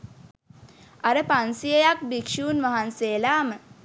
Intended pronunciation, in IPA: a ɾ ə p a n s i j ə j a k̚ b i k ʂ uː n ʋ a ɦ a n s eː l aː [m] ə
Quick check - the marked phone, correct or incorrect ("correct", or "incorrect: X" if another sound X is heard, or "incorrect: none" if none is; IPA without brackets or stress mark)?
correct